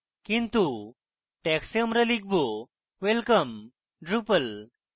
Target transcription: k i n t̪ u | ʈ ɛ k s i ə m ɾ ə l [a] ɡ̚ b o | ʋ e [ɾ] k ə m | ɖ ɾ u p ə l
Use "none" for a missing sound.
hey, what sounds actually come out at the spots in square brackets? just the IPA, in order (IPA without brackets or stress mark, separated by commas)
i, l